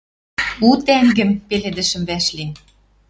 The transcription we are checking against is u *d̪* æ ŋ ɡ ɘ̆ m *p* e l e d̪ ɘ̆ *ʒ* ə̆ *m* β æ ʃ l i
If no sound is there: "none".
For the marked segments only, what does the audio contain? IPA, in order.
t̪, p, ʃ, m

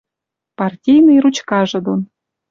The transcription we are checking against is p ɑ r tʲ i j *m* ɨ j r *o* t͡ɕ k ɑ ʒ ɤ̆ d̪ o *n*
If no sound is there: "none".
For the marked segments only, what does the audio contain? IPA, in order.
n, u, n

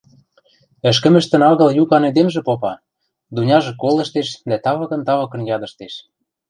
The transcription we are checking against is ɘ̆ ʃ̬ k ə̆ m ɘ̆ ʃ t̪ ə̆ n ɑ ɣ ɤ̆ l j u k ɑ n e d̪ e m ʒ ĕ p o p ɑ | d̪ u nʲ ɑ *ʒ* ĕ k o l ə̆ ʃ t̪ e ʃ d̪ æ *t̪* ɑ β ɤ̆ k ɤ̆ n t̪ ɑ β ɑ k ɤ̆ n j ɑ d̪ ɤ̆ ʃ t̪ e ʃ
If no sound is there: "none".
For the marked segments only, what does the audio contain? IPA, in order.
ʒ, t̪

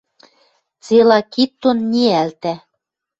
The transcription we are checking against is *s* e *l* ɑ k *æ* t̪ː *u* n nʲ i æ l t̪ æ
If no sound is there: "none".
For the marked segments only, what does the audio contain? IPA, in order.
t͡s, l, i, o

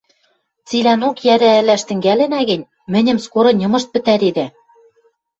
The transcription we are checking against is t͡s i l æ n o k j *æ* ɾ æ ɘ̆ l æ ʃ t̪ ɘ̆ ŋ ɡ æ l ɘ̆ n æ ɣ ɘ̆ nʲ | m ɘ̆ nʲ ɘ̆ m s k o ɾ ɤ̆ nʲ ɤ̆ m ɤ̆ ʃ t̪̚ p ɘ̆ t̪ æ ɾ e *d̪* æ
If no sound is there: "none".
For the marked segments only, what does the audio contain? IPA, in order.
æ, d̪

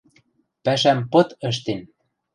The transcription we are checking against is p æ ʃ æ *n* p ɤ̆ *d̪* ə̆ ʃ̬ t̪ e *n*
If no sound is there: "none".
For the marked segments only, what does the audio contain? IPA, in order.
m, t̪, n

